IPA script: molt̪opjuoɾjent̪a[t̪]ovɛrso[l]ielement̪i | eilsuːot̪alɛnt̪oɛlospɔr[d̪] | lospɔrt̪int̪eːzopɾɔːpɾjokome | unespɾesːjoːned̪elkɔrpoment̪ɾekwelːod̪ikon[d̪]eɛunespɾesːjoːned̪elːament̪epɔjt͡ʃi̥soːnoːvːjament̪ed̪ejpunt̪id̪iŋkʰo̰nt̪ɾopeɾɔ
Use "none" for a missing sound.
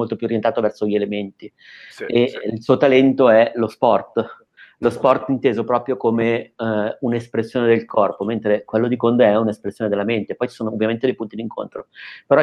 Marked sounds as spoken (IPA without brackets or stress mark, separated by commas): t̪, ʎ, t̪, d̪